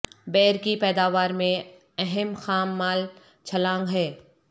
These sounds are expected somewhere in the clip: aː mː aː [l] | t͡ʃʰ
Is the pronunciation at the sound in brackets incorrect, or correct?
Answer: correct